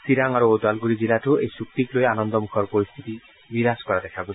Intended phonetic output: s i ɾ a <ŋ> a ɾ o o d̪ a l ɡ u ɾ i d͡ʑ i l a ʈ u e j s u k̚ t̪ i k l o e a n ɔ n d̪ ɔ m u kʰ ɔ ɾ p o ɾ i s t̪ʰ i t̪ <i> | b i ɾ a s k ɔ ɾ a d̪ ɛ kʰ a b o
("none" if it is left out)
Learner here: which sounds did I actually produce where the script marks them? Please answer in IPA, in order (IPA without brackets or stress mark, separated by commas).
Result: ŋ, i